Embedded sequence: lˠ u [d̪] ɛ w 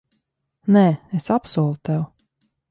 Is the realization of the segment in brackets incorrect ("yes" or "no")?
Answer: yes